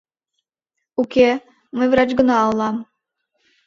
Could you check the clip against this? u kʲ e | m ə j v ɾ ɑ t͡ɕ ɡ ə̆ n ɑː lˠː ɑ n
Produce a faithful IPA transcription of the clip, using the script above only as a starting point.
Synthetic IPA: u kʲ e | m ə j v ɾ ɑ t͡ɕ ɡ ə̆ n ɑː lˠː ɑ m